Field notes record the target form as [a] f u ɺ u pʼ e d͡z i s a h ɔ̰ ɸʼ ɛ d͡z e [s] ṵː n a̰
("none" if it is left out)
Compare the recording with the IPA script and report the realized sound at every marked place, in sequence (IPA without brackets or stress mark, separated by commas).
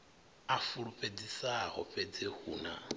a, h